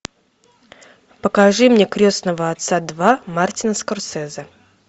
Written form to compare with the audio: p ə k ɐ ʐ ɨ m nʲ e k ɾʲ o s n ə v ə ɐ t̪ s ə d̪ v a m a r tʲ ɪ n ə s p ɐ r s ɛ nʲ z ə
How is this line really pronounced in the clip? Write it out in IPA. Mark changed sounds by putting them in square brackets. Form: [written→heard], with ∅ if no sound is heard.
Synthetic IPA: p ə k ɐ ʐ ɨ m nʲ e k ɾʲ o s n ə v ə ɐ t̪ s [ə→a] d̪ v a m a r tʲ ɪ n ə s [p→k] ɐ r s ɛ [nʲ→∅] z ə